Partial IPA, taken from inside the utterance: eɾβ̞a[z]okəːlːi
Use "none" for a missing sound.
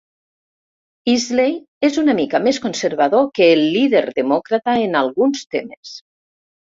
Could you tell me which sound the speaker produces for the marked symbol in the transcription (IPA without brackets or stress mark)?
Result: ð